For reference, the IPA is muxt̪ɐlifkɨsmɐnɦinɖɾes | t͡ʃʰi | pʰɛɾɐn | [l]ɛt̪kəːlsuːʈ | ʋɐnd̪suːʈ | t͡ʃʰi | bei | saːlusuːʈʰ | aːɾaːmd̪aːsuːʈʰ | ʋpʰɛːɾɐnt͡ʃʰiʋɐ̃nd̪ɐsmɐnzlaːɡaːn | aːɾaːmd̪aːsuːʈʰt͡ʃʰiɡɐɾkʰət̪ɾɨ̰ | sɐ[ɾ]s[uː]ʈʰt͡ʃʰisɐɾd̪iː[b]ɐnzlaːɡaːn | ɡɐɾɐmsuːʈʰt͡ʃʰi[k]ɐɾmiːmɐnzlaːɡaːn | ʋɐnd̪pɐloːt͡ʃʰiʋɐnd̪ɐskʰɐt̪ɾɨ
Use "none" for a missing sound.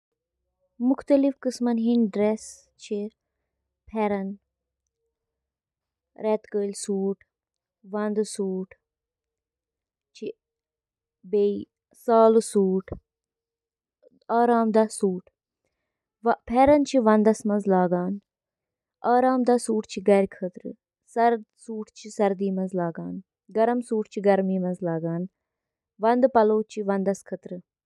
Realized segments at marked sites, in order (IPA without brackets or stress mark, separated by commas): ɾ, ɾ, uː, m, ɡ